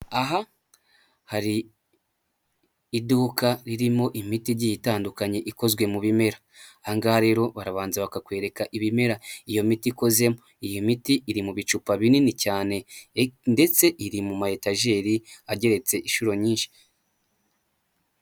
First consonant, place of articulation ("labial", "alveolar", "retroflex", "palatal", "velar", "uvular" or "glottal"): glottal